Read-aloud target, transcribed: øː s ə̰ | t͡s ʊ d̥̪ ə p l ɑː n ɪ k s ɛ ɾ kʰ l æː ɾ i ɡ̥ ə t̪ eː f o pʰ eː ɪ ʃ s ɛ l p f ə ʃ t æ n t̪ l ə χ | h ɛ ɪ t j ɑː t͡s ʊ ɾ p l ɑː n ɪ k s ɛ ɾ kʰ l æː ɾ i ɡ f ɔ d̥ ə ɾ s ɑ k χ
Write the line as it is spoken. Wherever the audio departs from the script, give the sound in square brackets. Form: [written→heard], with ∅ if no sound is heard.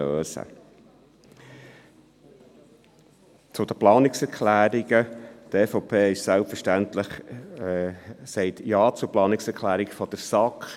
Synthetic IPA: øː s ə̰ | t͡s ʊ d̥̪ ə p l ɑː n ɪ k s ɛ ɾ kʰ l æː ɾ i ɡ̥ ə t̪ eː f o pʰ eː ɪ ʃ s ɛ l p f ə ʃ t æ n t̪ l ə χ | [h→s] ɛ ɪ t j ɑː t͡s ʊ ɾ p l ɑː n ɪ k s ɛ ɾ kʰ l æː ɾ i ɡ f ɔ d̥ ə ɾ s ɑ k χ